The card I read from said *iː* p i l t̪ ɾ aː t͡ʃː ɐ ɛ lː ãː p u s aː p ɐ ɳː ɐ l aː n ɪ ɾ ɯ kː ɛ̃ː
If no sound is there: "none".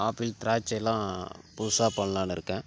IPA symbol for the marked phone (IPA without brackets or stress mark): aː